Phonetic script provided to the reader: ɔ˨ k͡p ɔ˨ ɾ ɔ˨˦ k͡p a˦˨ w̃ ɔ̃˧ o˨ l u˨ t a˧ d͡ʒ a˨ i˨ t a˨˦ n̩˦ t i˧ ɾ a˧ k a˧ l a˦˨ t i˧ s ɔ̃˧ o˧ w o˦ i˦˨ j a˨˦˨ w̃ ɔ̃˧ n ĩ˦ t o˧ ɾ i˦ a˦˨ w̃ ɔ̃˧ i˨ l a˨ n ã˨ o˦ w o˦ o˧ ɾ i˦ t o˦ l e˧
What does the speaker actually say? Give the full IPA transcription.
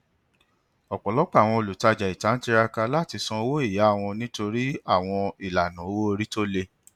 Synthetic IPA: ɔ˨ k͡p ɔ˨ l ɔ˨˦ k͡p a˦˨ w̃ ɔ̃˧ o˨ l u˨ t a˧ d͡ʒ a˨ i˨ t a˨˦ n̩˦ t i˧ ɾ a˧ k a˧ l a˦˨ t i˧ s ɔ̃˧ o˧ w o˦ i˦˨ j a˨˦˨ w̃ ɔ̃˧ n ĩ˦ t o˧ ɾ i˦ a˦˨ w̃ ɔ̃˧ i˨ l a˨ n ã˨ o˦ w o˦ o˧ ɾ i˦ t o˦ l e˧